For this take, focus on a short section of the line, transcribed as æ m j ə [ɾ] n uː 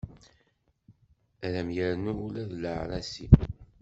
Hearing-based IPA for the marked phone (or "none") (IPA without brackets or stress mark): ɾ